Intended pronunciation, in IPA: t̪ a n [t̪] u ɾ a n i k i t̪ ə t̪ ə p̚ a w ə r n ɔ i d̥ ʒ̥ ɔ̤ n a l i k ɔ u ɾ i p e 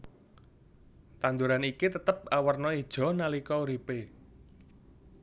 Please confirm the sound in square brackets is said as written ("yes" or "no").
no